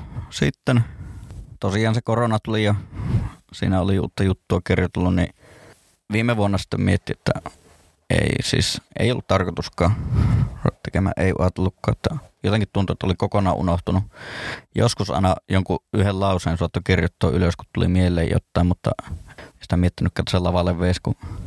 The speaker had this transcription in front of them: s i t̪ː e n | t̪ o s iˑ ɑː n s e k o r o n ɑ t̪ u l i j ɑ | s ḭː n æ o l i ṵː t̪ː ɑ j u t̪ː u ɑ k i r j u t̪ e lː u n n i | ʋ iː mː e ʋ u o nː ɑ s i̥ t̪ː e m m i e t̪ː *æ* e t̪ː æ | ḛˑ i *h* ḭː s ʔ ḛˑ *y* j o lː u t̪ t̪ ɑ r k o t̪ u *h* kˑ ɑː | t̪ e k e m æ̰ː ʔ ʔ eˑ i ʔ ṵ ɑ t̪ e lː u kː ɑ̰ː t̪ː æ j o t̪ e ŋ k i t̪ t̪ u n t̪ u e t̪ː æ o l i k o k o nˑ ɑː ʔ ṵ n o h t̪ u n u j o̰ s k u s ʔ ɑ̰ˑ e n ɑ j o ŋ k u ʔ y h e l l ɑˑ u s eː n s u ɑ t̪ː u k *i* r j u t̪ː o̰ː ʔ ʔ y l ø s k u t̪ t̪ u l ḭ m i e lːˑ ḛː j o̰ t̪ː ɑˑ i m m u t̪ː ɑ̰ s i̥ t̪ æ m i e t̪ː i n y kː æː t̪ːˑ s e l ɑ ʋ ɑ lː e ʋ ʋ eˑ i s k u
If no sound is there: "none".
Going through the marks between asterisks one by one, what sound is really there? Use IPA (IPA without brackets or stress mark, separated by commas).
i, s, i, s, i